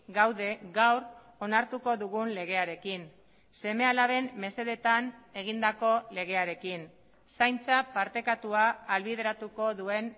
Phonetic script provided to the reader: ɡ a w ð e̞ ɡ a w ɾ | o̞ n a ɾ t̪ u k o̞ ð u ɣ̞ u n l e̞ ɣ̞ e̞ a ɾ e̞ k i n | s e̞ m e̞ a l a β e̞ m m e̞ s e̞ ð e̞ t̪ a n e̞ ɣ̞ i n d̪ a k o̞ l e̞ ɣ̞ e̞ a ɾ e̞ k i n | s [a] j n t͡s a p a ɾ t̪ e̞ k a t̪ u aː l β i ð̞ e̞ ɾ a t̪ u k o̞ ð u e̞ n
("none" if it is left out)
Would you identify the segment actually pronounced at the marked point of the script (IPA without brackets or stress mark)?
a